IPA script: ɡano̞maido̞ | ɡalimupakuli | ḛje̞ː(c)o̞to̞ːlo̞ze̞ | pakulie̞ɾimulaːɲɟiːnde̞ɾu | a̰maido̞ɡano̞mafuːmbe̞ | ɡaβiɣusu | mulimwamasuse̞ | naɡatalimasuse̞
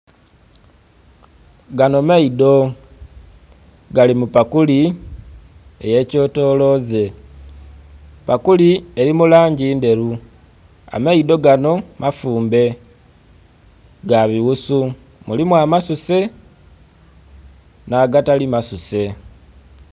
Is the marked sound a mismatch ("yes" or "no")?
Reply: no